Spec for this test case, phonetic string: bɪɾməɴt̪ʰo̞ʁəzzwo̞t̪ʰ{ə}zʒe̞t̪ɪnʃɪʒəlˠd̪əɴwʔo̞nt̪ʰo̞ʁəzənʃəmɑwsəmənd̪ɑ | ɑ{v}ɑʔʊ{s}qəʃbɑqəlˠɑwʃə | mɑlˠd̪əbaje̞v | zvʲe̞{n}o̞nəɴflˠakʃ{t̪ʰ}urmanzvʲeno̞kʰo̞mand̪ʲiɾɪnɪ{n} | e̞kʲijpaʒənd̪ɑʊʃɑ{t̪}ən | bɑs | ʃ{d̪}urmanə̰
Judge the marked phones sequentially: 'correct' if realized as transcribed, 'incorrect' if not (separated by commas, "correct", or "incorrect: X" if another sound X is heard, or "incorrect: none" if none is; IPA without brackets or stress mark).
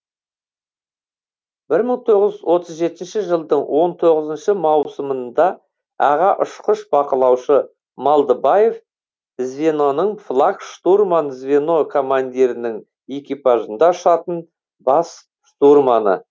correct, incorrect: ʁ, incorrect: ʃ, correct, incorrect: t̪, incorrect: ŋ, correct, incorrect: t̪